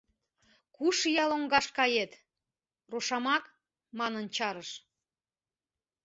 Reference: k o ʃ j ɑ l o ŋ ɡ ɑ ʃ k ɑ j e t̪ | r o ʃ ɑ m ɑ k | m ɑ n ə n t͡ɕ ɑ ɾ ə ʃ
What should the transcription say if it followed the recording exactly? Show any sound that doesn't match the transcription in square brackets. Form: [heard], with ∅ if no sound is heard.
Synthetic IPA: k [u] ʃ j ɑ l o ŋ ɡ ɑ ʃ k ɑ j e t̪ | r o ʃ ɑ m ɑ k | m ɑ n ə n t͡ɕ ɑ ɾ ə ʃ